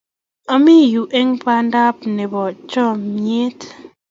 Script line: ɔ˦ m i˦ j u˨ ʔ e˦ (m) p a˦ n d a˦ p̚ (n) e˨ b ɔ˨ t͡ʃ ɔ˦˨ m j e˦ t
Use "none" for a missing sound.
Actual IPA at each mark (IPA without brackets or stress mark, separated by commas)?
ŋ, n